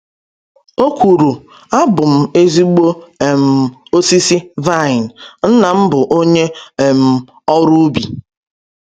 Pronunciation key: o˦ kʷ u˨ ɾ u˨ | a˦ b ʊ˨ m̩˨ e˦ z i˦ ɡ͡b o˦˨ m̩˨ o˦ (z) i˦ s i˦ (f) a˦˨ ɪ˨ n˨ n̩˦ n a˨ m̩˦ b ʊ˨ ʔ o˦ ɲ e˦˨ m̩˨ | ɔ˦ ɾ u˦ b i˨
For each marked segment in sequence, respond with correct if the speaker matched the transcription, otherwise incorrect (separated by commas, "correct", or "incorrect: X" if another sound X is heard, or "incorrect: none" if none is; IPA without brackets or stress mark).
incorrect: s, incorrect: v